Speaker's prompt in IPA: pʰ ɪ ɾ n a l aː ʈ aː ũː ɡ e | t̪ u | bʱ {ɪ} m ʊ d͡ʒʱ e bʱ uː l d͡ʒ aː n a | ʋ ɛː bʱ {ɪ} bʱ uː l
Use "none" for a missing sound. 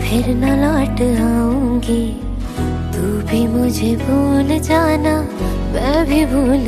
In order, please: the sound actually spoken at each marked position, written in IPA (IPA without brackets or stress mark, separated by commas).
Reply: i, i